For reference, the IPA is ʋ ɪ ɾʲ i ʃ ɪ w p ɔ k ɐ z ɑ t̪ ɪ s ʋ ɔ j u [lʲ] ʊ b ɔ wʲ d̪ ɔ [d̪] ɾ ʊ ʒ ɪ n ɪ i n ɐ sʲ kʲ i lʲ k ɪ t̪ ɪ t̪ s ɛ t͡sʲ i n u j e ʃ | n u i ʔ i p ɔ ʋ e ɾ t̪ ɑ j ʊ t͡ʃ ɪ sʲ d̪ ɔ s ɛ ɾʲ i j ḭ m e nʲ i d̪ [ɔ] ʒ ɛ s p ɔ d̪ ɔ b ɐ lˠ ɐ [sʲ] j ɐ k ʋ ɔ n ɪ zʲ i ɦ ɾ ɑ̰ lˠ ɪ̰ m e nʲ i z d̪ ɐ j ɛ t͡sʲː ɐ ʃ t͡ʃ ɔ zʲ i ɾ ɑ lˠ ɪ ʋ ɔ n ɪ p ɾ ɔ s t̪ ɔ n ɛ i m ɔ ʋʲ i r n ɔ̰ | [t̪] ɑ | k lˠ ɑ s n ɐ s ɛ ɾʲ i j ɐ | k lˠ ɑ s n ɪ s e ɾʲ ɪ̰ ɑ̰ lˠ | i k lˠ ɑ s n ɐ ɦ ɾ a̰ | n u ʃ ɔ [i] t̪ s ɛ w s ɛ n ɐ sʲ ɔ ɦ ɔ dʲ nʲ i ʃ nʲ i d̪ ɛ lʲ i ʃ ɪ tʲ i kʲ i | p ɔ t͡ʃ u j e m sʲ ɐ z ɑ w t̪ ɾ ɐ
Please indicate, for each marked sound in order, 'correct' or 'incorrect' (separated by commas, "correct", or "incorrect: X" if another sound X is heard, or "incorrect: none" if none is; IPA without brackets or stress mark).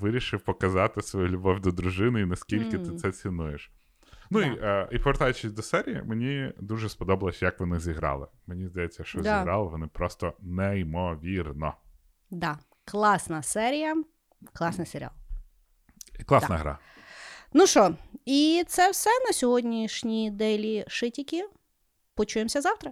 correct, correct, incorrect: u, correct, incorrect: d̪, correct